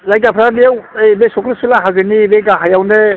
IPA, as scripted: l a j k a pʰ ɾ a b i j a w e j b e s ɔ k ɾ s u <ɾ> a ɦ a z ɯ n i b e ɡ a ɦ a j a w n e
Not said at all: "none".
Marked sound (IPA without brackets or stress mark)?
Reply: l